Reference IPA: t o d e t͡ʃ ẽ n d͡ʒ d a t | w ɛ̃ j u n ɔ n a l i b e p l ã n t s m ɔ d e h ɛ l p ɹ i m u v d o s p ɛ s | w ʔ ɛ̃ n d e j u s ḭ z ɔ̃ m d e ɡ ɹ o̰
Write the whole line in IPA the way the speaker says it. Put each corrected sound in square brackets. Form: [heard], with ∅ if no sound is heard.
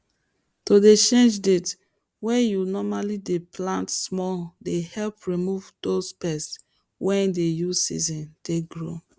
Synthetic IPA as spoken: t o d e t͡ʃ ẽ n d͡ʒ d [e] t | w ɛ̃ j u n ɔ [m] a l i [d] e p l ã n t s m ɔ d e h ɛ l p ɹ i m u v d o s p ɛ s | w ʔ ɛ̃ n d e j u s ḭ z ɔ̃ [n] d e ɡ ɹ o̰